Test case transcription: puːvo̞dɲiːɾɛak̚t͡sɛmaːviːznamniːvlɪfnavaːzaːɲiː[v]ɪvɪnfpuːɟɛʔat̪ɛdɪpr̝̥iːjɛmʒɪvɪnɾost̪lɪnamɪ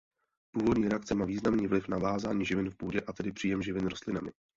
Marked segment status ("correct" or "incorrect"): incorrect